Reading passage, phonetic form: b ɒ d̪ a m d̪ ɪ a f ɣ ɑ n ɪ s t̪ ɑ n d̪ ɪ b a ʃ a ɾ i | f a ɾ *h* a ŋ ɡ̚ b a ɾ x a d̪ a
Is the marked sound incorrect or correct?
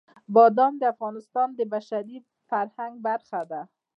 correct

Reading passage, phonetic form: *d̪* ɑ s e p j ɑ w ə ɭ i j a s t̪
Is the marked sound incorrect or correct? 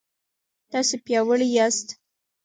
incorrect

